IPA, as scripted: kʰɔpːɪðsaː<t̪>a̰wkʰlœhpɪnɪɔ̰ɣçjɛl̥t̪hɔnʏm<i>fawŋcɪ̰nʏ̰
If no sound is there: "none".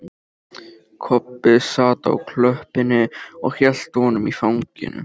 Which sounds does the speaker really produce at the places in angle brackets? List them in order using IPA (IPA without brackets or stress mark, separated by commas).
t̪, i